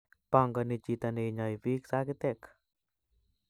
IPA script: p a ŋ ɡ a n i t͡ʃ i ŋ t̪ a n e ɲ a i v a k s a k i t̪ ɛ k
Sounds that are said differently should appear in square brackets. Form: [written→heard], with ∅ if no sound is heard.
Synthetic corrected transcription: p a ŋ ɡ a n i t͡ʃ i [ŋ→∅] t̪ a n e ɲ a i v [a→i] k s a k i t̪ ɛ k